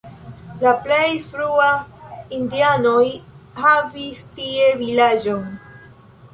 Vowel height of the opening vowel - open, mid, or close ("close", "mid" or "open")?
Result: open